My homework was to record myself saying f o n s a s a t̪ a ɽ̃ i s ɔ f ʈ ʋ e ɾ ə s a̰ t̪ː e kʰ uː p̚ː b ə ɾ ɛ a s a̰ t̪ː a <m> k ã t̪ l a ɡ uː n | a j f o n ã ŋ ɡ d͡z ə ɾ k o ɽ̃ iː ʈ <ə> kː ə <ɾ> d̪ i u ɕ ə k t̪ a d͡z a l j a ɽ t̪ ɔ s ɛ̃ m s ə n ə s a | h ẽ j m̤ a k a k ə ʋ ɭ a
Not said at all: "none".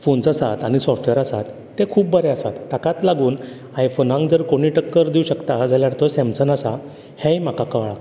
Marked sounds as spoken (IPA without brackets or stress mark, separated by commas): none, ə, ɾ